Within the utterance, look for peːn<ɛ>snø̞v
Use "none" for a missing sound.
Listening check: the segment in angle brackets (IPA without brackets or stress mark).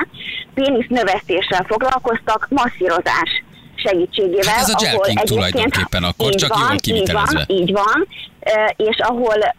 i